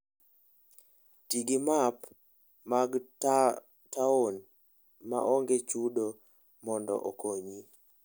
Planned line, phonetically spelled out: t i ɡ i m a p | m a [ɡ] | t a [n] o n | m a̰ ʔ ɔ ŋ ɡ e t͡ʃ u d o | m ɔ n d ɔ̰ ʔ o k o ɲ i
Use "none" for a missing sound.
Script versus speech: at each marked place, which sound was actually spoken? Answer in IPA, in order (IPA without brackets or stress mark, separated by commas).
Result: ɡ, none